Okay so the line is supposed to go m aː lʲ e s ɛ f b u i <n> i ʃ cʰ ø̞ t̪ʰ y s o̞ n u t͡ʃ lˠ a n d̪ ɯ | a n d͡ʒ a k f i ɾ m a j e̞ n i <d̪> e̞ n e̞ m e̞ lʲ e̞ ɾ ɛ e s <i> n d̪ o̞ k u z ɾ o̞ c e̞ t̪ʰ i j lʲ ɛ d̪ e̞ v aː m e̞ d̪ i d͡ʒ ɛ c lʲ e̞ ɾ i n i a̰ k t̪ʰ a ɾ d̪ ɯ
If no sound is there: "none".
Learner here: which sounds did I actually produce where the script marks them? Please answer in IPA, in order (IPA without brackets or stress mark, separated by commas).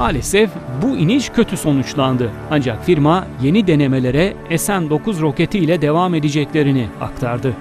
n, d̪, æ